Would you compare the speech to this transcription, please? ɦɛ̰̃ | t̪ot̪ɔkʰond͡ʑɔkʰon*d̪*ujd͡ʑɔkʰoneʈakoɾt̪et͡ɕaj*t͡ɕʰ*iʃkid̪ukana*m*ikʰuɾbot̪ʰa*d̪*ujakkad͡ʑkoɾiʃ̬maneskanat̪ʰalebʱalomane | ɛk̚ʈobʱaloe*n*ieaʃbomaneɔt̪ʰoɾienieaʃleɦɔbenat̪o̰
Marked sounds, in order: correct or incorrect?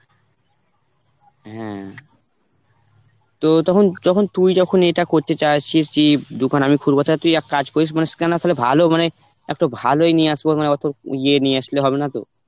incorrect: t̪, correct, correct, incorrect: t̪, correct

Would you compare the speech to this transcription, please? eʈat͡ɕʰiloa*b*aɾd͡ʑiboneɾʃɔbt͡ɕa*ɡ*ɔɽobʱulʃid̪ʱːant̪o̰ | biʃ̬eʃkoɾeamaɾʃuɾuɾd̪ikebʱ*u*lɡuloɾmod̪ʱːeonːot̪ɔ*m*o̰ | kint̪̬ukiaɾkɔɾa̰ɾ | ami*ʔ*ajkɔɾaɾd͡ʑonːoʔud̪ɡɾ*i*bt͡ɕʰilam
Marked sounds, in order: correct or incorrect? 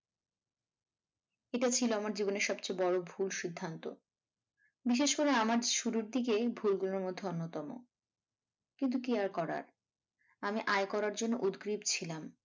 incorrect: m, incorrect: b, correct, correct, correct, correct

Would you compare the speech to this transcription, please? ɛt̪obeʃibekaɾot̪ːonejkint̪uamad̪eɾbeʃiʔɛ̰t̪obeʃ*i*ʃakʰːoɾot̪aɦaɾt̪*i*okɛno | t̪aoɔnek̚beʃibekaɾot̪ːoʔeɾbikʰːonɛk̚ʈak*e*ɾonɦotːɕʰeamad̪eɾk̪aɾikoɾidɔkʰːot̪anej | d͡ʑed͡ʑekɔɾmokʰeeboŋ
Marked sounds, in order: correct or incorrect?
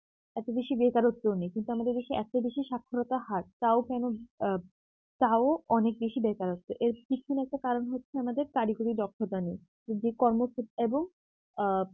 correct, incorrect: a, incorrect: a

